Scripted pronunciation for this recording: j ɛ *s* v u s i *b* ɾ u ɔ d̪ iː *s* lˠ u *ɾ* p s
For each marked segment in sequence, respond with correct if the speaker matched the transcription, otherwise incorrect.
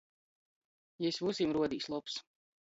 correct, incorrect, correct, incorrect

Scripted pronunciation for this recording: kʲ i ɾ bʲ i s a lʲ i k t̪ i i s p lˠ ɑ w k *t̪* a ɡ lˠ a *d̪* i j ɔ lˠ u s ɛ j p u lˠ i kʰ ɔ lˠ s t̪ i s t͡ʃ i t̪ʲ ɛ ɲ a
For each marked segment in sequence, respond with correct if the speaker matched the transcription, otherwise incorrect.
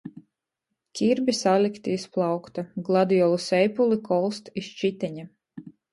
correct, correct

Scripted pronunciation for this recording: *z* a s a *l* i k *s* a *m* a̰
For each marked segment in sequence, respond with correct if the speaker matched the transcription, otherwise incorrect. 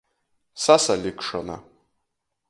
incorrect, correct, incorrect, incorrect

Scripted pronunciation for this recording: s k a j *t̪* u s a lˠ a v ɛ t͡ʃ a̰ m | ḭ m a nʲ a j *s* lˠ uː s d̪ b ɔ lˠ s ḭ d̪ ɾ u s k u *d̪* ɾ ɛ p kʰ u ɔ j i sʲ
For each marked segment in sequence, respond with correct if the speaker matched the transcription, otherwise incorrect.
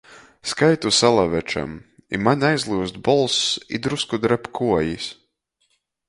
correct, incorrect, correct

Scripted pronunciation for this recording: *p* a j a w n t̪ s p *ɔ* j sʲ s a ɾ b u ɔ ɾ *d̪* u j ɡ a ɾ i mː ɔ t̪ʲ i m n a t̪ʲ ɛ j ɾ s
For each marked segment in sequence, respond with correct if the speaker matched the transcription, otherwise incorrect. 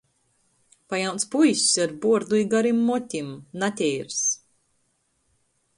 correct, incorrect, correct

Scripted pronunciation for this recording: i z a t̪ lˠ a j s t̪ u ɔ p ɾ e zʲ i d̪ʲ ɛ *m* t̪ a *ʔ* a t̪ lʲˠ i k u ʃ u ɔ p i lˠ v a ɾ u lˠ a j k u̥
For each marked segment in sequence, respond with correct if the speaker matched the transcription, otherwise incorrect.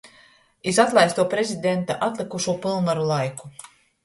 incorrect, correct

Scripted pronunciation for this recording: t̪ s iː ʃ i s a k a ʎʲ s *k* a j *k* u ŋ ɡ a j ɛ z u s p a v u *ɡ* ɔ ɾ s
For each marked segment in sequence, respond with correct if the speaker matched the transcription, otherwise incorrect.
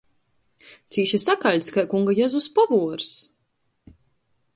correct, correct, incorrect

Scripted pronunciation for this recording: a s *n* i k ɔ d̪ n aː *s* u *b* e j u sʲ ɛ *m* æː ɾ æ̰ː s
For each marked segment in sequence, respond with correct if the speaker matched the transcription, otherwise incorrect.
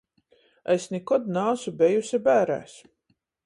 correct, correct, correct, incorrect

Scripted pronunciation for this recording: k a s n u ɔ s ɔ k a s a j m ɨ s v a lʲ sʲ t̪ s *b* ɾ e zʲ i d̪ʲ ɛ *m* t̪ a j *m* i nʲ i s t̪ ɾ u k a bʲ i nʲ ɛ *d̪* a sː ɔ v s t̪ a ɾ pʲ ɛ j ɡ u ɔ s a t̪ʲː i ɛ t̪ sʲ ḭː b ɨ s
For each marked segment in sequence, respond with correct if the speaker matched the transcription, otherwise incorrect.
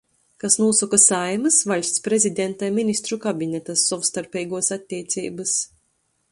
incorrect, incorrect, correct, incorrect

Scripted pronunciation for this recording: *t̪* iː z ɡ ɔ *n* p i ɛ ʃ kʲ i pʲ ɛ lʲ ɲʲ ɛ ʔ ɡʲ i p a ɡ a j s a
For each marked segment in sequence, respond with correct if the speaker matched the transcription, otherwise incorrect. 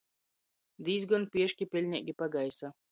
incorrect, correct

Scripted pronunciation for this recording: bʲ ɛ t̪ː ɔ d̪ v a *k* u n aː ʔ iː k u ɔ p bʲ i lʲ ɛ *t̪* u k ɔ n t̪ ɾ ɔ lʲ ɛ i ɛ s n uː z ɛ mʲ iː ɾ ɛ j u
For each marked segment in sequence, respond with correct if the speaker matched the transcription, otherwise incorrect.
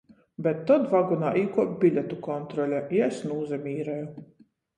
incorrect, correct

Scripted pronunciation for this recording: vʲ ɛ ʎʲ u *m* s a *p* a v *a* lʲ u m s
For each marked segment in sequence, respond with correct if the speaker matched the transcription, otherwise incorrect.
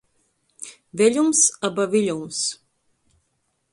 correct, incorrect, incorrect

